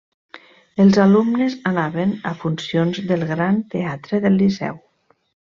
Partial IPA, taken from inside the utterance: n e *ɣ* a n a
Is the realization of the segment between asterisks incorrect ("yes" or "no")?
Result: yes